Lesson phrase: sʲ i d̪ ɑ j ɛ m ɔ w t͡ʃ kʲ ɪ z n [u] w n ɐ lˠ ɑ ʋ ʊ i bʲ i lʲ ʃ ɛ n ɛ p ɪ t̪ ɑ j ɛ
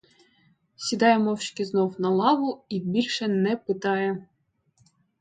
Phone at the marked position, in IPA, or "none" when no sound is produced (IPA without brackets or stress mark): ɔ